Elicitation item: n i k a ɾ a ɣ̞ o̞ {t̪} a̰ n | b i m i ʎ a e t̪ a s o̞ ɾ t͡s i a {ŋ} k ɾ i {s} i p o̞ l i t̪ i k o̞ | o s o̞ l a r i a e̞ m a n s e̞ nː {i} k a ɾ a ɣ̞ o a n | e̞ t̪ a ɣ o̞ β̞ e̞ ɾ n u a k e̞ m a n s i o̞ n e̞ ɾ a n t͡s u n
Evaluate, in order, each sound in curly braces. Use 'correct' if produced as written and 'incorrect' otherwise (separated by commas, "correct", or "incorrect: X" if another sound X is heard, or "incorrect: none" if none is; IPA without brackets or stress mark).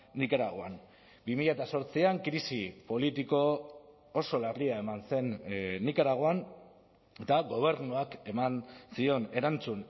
incorrect: none, correct, correct, correct